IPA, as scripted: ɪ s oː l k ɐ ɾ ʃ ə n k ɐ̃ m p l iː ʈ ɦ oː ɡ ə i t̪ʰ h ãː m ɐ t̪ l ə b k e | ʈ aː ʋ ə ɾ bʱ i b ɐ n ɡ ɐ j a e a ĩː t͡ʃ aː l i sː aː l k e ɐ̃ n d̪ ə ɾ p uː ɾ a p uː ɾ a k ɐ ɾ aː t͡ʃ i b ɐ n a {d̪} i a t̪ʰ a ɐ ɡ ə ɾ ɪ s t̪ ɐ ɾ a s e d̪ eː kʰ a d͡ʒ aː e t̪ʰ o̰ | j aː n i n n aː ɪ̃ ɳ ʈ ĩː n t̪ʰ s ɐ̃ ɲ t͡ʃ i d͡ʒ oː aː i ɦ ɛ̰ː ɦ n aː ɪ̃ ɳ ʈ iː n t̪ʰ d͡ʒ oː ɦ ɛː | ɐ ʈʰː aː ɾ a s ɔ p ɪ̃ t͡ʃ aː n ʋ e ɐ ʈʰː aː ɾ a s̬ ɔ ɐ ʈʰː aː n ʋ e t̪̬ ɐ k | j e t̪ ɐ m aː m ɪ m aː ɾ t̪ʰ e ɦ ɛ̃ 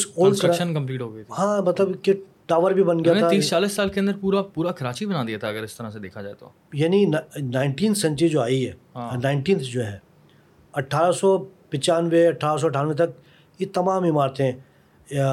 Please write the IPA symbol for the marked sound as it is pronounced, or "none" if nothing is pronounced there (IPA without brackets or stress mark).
d̪